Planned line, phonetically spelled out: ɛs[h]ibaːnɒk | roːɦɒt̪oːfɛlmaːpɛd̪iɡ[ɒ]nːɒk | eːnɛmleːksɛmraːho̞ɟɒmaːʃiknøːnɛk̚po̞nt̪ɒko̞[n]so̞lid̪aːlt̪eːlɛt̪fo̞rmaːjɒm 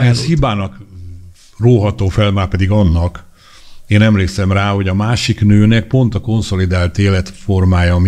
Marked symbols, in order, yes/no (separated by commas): yes, yes, yes